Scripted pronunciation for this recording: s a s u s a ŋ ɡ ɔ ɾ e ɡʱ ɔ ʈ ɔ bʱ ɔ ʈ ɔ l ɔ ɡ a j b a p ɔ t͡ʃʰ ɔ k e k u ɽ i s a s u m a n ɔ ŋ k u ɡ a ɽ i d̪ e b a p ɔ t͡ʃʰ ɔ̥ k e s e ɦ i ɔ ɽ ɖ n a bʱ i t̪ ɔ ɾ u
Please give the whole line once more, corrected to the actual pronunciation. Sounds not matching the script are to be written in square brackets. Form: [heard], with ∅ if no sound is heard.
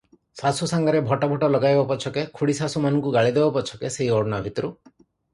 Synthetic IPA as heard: s a s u s a ŋ ɡ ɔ ɾ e [bʱ] ɔ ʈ ɔ bʱ ɔ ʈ ɔ l ɔ ɡ a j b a p ɔ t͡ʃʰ ɔ k e [kʰ] u ɽ i s a s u m a n ɔ ŋ k u ɡ a [ɭ] i d̪ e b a p ɔ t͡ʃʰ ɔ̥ k e s e ɦ i ɔ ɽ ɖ n a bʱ i t̪ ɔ ɾ u